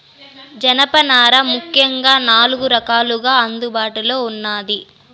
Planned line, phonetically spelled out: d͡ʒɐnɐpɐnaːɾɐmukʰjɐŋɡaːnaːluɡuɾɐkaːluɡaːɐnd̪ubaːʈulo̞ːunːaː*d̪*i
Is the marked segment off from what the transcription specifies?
no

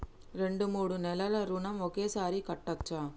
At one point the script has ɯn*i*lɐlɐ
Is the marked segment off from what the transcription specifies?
yes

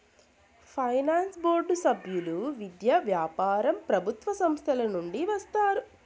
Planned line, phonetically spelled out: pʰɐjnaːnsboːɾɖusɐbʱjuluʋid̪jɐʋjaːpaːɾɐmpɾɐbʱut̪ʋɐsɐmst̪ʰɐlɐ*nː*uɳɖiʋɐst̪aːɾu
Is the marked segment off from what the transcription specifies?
yes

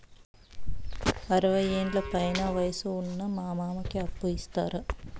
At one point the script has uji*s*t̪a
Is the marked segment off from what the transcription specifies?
no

